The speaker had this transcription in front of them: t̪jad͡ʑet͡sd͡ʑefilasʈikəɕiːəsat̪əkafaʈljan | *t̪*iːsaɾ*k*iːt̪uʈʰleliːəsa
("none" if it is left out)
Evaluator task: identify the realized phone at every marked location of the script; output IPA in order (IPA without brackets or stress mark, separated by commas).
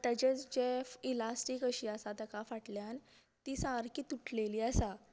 t̪, k